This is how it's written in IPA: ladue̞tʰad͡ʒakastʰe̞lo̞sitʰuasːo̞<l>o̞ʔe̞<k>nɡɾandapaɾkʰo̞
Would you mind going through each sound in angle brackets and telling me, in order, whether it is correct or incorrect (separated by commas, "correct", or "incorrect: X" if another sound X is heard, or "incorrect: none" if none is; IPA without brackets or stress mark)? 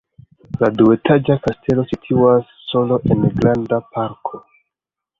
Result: correct, incorrect: none